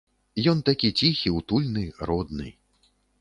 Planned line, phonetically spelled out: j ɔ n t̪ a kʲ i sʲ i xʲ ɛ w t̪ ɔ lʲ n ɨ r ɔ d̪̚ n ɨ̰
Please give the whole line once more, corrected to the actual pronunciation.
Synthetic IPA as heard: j ɔ n t̪ a kʲ i t͡sʲ i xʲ i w t̪ u lʲ n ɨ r ɔ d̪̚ n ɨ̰